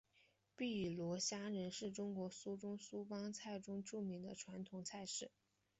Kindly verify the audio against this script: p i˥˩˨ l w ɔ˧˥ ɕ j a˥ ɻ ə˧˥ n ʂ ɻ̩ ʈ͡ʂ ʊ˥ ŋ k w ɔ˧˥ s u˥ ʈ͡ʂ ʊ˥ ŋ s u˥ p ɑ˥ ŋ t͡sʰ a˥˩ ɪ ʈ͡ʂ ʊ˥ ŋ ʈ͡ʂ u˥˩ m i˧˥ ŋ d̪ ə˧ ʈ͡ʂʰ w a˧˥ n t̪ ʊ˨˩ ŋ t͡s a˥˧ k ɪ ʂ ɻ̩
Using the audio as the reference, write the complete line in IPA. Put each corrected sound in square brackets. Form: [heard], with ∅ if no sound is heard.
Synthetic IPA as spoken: p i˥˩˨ l w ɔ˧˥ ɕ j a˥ ɻ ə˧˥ n ʂ ɻ̩ ʈ͡ʂ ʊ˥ ŋ k w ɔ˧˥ s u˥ ʈ͡ʂ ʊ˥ ŋ s u˥ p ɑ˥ ŋ t͡sʰ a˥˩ ɪ ʈ͡ʂ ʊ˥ ŋ ʈ͡ʂ u˥˩ m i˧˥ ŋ d̪ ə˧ ʈ͡ʂʰ w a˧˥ n [t̪ʰ] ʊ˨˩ ŋ [t͡sʰ] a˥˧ [∅] ɪ ʂ ɻ̩